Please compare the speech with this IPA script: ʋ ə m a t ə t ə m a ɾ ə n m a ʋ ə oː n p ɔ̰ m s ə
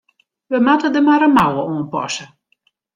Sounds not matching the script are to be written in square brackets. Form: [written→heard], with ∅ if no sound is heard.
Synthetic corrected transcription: ʋ ə m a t ə [t→d] ə m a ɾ ə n m a [ʋ→w] ə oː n p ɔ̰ [m→∅] s ə